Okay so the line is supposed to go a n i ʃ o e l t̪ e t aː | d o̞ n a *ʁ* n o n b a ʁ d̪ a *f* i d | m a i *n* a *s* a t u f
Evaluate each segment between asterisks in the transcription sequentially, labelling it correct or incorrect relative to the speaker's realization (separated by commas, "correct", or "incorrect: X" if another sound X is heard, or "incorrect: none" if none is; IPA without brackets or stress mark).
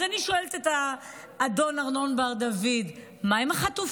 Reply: correct, incorrect: v, incorrect: m, incorrect: χ